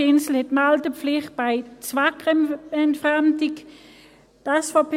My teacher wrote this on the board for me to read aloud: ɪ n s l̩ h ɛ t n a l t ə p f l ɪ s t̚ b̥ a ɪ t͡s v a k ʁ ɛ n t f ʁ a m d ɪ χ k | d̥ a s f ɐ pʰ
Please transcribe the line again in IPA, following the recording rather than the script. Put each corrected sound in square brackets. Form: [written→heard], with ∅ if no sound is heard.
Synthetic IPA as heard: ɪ n s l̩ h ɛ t [n→m] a l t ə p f l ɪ [s→χ] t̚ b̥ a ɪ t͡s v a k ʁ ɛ n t f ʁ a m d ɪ [χ→∅] k | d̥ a s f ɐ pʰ